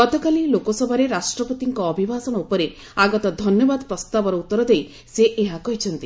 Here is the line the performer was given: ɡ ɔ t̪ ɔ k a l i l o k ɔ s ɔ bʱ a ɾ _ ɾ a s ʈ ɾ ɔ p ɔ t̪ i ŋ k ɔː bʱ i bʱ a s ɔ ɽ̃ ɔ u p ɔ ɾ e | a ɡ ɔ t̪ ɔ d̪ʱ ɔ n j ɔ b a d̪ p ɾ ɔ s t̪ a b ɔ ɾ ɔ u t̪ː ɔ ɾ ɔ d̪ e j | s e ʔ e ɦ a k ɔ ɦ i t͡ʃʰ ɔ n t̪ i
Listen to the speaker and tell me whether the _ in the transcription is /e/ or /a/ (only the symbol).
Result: e